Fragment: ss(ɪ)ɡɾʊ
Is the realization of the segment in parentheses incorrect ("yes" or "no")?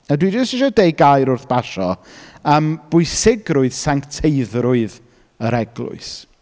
no